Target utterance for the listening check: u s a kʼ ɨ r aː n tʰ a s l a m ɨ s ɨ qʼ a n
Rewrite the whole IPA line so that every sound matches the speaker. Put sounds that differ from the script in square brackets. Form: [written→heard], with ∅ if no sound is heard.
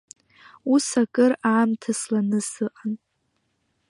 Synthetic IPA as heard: u s a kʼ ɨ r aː [n→m] tʰ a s l a [m→n] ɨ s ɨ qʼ a n